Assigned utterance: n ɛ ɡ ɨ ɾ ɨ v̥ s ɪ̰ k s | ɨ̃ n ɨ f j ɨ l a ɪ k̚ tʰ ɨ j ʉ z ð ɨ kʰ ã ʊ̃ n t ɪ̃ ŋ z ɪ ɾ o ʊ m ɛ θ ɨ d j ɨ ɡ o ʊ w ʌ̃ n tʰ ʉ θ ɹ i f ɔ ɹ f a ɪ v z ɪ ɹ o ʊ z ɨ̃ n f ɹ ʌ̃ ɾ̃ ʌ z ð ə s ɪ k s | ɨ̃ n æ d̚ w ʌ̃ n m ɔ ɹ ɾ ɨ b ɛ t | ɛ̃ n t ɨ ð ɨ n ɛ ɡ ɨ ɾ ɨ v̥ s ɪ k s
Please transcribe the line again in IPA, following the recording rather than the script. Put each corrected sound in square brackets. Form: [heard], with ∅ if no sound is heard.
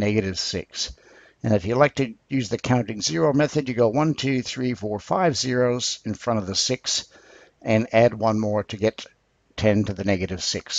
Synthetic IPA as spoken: n ɛ ɡ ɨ ɾ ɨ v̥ s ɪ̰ k s | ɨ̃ n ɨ f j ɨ l a ɪ k̚ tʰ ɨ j ʉ z ð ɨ kʰ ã ʊ̃ n t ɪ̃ ŋ z ɪ [ɹ] o ʊ m ɛ θ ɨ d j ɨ ɡ o ʊ w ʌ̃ n tʰ ʉ θ ɹ i f ɔ ɹ f a ɪ v z ɪ ɹ o ʊ z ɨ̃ n f ɹ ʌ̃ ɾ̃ ʌ [v] ð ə s ɪ k s | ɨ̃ n æ d̚ w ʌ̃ n m ɔ ɹ ɾ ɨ [ɡ] ɛ [tʰ] | ɛ̃ n t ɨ ð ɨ n ɛ ɡ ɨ ɾ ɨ v̥ s ɪ k s